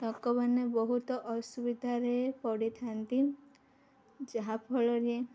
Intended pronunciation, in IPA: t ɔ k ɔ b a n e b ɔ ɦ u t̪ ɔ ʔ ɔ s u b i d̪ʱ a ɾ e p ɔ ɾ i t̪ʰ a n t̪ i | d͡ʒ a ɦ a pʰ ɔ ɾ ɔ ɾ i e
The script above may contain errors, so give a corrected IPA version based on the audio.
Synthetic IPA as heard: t ɔ k ɔ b a n e b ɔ ɦ u t̪ ɔ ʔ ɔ s u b i d̪ʱ a ɾ e p ɔ ɽ i t̪ʰ a n t̪ i | d͡ʒ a ɦ a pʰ ɔ ɭ ɔ ɾ i e